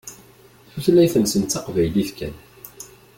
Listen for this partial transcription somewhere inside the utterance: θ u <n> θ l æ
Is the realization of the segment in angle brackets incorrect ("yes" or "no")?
yes